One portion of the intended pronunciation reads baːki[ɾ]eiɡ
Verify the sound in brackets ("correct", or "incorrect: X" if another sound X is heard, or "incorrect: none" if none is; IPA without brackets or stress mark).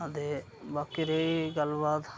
correct